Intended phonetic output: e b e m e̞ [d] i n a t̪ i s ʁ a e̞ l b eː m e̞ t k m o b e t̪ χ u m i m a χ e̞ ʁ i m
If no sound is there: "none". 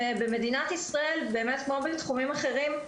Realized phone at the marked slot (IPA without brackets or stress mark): d